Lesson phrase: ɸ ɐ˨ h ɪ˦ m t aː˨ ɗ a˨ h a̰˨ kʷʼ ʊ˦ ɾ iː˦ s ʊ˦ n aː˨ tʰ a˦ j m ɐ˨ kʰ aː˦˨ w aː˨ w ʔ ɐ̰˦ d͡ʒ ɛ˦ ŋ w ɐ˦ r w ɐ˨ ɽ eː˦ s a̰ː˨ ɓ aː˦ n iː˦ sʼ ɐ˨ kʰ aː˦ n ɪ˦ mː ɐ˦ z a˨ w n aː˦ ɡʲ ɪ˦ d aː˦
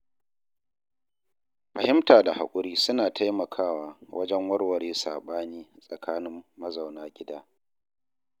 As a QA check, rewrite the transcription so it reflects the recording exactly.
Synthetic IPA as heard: ɸ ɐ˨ h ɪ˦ m t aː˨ d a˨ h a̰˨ kʷʼ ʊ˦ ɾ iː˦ s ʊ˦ n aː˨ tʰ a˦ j m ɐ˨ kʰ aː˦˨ w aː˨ w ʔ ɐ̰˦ d͡ʒ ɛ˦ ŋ w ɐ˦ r w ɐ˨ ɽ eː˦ s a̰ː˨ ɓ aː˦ n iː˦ sʼ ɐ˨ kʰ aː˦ n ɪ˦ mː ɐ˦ z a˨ w n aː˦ ɡʲ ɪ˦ d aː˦